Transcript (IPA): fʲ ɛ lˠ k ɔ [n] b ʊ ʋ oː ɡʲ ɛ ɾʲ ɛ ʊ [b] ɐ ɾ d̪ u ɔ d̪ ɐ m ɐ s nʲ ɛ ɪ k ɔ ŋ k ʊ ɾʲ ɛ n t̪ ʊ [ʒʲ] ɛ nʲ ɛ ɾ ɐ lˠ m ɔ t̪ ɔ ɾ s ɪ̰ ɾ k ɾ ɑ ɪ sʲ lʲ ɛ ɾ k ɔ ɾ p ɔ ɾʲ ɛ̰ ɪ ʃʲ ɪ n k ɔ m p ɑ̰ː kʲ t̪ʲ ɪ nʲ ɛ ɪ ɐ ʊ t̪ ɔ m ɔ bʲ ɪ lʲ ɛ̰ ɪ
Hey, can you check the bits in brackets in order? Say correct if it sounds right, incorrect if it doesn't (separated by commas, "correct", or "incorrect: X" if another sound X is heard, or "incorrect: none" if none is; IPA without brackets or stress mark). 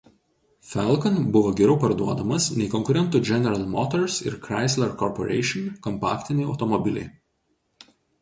correct, incorrect: p, incorrect: d͡ʒʲ